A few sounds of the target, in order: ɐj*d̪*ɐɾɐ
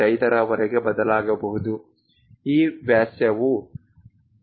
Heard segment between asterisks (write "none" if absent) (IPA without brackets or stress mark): t̪